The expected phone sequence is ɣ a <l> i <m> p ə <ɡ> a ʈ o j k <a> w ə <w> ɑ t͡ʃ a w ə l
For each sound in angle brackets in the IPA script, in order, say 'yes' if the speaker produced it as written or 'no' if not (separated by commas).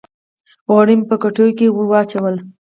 no, yes, no, no, yes